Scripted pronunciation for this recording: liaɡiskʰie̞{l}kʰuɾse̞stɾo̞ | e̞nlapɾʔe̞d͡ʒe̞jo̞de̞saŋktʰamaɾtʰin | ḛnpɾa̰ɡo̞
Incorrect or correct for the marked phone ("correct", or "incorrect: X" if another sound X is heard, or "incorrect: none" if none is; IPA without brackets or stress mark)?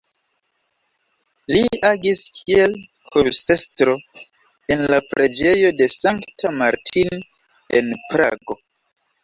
correct